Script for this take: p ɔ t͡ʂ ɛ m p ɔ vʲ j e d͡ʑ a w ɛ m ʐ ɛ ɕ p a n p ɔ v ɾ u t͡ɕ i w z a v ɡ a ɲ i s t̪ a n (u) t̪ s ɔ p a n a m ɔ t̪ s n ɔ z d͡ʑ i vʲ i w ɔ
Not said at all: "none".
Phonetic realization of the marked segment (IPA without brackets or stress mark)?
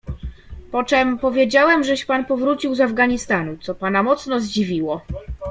u